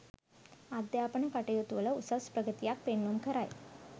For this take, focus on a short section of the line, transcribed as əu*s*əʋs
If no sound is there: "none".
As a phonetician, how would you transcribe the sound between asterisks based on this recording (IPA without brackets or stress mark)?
s